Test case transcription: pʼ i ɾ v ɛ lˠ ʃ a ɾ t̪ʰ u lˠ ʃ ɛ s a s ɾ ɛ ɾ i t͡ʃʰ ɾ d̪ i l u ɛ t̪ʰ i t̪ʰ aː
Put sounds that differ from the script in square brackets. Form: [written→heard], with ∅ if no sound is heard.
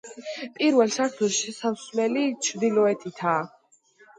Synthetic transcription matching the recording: pʼ i ɾ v ɛ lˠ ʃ a ɾ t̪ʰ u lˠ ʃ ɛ s a s [ɾ→l] ɛ [ɾ→l] i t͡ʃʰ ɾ d̪ i l [u→ɔ] ɛ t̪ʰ i t̪ʰ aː